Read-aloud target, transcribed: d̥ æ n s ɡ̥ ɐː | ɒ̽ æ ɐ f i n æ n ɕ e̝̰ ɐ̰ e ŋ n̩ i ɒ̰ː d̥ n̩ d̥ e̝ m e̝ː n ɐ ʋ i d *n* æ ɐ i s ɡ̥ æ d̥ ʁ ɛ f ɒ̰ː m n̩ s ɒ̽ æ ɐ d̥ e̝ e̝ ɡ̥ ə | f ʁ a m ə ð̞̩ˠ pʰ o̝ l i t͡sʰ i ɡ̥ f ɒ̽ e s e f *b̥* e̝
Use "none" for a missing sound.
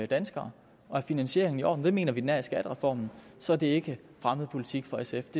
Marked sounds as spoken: n, d̥

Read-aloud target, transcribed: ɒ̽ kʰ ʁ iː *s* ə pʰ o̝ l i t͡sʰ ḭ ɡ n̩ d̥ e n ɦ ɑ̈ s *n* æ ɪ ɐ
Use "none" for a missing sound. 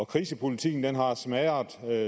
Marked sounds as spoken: s, m

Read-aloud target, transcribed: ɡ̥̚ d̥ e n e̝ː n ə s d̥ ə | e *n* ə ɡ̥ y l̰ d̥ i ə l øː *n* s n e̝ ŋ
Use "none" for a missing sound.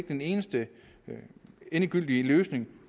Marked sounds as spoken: n, none

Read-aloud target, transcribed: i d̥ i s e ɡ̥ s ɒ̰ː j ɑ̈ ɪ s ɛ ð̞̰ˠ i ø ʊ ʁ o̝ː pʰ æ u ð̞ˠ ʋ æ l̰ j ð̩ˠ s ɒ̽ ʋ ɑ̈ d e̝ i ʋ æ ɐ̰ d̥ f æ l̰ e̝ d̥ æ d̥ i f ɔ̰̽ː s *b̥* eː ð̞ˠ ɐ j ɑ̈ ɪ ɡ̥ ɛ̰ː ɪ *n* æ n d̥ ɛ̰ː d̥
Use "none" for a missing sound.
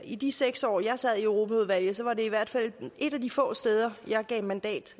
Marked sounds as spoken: d̥, m

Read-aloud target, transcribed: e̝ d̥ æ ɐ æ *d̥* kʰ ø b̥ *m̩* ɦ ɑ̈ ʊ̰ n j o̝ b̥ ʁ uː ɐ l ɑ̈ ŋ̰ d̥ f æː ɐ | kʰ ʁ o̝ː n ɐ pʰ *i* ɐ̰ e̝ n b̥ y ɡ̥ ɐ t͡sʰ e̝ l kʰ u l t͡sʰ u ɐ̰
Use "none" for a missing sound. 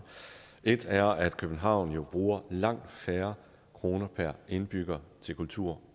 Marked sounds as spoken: d̥, n̩, æ

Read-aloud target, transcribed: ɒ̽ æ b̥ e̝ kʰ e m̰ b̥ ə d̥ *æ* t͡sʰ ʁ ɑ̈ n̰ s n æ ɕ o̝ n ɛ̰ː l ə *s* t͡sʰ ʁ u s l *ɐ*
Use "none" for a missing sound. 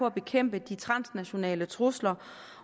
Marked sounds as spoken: i, none, ɐ

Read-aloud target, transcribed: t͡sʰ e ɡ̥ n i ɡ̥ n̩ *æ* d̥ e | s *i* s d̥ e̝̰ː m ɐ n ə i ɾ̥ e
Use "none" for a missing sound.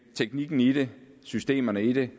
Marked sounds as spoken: i, y

